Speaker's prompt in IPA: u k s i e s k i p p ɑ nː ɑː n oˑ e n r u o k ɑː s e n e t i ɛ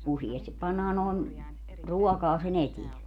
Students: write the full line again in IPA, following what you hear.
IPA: u s i e s t i p p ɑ nː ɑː n oˑ e n r u ɔ k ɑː s e n e t i ɛ